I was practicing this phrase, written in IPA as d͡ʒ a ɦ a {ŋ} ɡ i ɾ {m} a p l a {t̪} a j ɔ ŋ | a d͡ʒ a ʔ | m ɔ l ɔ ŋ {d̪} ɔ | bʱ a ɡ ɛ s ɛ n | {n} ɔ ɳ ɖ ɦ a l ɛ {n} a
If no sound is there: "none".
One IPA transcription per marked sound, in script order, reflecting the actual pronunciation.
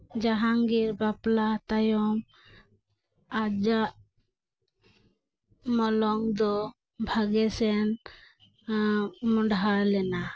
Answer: ŋ, b, t̪, d̪, m, n

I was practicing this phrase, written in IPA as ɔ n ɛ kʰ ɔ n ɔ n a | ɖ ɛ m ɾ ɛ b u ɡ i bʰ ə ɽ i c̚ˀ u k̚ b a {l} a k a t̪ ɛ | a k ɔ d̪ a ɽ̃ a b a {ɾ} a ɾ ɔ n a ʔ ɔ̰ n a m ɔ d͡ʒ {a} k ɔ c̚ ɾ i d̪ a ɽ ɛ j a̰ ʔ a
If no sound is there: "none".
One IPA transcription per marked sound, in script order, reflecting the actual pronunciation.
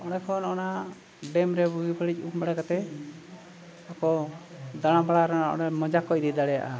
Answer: ɽ, ɽ, a

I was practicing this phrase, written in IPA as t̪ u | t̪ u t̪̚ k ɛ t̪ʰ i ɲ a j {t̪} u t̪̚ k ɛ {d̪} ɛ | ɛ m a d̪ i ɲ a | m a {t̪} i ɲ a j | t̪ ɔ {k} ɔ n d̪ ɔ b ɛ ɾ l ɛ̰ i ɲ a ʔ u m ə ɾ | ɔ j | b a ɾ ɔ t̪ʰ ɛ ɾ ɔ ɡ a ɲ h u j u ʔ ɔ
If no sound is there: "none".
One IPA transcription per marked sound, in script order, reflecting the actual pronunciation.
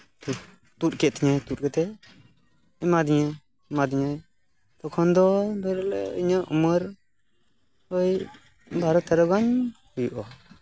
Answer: t̪, t̪, d̪, kʰ

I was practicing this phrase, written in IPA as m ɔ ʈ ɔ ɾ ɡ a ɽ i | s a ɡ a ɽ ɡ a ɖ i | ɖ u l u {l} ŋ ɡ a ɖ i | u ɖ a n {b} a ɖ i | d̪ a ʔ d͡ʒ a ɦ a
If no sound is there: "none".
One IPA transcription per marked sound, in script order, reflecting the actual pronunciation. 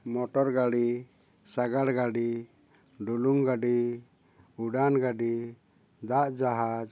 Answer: none, ɡ

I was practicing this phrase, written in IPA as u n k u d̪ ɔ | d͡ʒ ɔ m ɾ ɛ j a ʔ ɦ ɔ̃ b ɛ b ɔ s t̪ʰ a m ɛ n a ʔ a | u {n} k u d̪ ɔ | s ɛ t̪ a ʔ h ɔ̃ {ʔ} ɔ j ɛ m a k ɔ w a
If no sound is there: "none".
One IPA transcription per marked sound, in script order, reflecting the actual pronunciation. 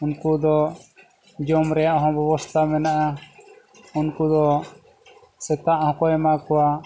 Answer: n, k

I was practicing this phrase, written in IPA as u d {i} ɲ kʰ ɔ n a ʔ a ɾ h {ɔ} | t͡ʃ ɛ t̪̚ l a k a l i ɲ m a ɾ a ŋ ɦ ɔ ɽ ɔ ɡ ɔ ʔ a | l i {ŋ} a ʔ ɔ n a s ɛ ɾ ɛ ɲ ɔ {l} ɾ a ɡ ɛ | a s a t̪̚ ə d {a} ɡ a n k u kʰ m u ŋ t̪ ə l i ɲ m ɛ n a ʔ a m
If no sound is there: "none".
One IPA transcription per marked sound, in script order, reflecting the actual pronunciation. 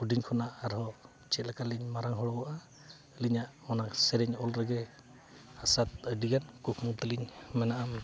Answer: i, ɔ, ɲ, l, i

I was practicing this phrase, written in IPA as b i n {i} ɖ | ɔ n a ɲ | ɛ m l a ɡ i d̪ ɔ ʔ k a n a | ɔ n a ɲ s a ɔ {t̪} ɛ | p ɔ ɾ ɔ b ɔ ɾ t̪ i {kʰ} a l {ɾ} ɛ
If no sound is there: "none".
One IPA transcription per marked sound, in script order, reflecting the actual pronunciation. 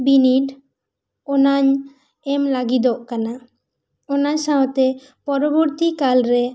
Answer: i, t̪, k, ɾ

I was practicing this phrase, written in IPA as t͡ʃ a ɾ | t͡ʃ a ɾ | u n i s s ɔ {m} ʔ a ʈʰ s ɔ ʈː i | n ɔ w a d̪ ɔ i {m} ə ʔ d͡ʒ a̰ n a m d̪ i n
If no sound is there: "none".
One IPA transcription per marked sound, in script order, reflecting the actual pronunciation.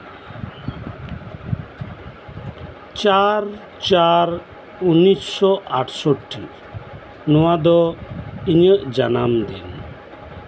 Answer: none, ɲ

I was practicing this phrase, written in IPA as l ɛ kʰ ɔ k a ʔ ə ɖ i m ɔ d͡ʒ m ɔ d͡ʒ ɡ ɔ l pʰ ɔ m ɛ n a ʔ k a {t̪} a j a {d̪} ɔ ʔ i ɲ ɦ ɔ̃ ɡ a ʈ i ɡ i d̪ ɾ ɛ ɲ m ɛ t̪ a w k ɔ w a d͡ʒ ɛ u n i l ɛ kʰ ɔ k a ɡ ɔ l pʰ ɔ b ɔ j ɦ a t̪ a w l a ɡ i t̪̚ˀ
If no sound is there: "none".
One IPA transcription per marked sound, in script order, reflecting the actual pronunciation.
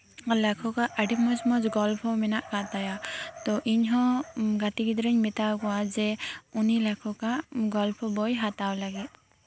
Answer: t̪, t̪

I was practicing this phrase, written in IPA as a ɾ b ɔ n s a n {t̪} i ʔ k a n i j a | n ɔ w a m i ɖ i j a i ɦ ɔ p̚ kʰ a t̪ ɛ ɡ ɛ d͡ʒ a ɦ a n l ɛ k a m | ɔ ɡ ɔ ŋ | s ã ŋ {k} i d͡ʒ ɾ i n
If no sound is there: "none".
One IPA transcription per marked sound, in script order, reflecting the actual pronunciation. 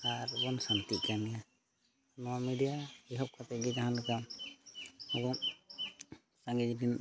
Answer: t̪, ɡ

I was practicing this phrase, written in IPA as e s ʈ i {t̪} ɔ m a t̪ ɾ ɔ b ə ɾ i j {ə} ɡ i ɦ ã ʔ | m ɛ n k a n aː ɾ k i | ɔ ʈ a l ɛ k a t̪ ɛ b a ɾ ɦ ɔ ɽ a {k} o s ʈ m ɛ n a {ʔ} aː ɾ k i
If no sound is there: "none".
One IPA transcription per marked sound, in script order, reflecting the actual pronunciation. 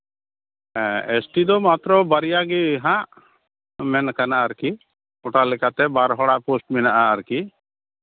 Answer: d̪, a, p, ʔ

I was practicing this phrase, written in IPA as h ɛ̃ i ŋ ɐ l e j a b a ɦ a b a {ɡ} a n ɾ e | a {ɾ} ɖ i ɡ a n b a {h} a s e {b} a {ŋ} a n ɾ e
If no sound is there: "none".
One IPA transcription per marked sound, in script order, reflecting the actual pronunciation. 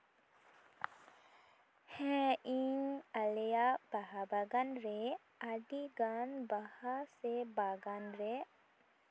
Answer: ɡ, none, h, b, ɡ

